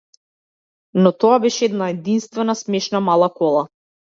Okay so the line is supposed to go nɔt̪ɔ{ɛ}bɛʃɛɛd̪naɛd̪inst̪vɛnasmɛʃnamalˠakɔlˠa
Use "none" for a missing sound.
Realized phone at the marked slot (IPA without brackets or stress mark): a